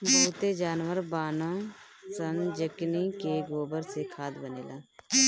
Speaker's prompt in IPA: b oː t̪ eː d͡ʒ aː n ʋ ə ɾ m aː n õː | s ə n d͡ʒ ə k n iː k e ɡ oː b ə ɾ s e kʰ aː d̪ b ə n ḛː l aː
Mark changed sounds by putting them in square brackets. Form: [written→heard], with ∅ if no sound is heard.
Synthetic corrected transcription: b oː t̪ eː d͡ʒ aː n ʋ ə ɾ [m→b] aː n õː | s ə n d͡ʒ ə k n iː k e ɡ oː b ə ɾ s e kʰ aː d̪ b ə n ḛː l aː